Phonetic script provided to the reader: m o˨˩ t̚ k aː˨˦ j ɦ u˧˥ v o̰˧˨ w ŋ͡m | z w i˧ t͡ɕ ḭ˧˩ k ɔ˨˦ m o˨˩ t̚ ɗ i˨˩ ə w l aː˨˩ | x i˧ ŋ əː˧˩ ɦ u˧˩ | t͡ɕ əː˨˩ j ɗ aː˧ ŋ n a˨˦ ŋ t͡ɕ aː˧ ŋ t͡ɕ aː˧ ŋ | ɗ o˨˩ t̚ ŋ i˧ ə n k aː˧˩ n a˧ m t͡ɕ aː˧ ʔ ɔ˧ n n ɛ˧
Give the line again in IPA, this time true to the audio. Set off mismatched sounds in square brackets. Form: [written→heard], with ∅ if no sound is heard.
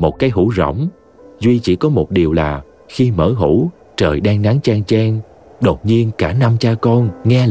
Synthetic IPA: m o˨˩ t̚ k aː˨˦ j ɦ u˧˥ [v→z] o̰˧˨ w ŋ͡m | z w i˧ t͡ɕ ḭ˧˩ k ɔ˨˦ m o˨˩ t̚ ɗ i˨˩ ə w l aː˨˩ | x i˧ [ŋ→m] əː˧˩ ɦ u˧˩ | t͡ɕ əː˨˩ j ɗ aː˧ ŋ n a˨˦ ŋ t͡ɕ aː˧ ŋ t͡ɕ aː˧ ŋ | ɗ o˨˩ t̚ [ŋ→ɲ] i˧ ə n k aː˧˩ n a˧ m t͡ɕ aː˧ [ʔ→k] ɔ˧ n [n→ŋ] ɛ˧